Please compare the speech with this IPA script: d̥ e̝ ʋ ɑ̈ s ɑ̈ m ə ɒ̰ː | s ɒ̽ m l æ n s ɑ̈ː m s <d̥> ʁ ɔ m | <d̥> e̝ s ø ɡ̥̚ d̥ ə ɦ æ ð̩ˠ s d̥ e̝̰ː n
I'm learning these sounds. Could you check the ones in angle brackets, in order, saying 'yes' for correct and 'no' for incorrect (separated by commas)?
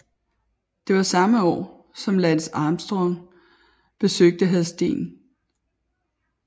yes, no